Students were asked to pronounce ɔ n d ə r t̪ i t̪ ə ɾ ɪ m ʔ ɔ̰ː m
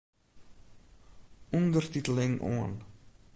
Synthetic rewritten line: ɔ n d ə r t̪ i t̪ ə l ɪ ŋ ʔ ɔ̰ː n